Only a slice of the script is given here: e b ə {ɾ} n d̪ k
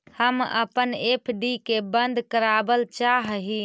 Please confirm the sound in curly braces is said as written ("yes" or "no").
no